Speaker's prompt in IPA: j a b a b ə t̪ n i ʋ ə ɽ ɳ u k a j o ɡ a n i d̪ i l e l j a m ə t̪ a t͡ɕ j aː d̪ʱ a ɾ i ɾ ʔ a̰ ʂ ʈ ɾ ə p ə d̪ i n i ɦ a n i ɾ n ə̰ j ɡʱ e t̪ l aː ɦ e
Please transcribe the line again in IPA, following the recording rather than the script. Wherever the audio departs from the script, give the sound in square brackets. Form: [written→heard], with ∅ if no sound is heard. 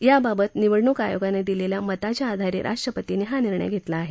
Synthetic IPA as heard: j a b a b ə t̪ n i ʋ ə ɽ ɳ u k a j o ɡ a n [i→e] d̪ i l e l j a m ə t̪ a t͡ɕ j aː d̪ʱ a ɾ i ɾ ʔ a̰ ʂ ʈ ɾ ə p ə [d̪→t̪] i n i ɦ a n i ɾ [n→ɳ] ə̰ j ɡʱ e t̪ l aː ɦ e